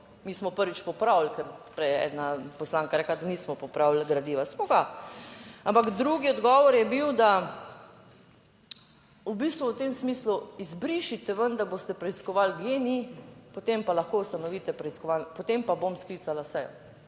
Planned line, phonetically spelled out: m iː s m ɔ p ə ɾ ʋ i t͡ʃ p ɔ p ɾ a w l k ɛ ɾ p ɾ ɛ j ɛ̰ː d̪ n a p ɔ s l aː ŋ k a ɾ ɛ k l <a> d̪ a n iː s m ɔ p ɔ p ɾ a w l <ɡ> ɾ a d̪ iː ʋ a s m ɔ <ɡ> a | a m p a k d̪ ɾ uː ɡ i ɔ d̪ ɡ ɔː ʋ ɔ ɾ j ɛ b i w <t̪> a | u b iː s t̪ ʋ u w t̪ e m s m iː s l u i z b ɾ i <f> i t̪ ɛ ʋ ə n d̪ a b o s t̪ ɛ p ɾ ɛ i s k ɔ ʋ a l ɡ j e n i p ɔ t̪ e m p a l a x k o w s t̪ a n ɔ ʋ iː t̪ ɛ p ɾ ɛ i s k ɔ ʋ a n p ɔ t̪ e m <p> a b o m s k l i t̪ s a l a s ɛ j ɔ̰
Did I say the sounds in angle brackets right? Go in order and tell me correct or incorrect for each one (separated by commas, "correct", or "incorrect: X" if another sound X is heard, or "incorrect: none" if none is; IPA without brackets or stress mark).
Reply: correct, correct, correct, incorrect: d̪, incorrect: ʃ, correct